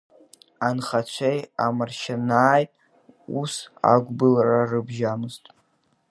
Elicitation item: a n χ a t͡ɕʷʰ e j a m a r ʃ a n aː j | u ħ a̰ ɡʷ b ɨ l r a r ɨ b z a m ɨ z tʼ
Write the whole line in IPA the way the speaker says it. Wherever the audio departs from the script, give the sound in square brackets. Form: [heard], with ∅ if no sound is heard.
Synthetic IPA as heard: a n χ a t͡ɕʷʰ e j a m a r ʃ a n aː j | u [s] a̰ ɡʷ b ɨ l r a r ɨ b [ʒ] a m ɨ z tʼ